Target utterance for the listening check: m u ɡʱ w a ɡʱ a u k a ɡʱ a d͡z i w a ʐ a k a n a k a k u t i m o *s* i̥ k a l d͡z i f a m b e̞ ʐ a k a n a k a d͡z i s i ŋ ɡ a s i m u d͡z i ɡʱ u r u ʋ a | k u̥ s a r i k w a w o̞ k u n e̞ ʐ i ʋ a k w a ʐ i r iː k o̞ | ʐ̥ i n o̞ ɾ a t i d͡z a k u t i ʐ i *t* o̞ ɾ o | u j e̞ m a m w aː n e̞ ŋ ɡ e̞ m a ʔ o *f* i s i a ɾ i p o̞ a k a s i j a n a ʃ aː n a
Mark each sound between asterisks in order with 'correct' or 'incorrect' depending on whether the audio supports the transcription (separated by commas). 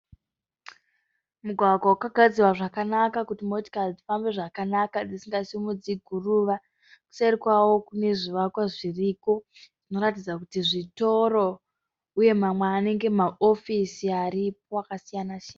incorrect, correct, correct